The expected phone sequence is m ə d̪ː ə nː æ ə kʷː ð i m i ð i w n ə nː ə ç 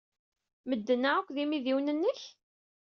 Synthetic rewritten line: m ə d̪ː ə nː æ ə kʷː ð i m i ð i w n ə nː ə ç